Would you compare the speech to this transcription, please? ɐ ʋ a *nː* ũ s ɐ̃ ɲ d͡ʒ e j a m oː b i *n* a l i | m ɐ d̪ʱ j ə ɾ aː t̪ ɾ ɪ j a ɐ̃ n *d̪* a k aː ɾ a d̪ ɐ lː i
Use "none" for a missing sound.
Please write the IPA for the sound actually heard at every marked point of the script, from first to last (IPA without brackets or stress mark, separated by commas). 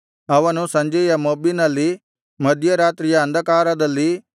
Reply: n, n, d̪